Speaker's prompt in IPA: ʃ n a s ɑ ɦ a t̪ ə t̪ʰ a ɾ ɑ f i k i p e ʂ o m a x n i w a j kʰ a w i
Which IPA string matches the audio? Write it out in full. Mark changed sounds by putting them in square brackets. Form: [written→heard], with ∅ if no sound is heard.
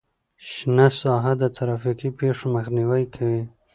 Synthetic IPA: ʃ n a s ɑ ɦ a [t̪→d̪] ə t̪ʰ a ɾ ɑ f i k i p e ʂ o m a x n i w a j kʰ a w i